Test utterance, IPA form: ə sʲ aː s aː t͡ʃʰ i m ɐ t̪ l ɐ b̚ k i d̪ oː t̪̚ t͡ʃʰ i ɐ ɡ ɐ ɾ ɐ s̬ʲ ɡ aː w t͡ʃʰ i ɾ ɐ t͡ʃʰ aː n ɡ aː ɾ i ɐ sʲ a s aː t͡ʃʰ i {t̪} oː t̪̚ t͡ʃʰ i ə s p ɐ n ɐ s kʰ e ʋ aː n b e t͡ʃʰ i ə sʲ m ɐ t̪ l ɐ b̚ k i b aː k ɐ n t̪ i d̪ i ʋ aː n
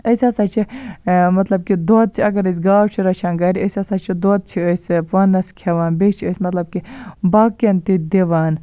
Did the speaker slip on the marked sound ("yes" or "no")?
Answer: yes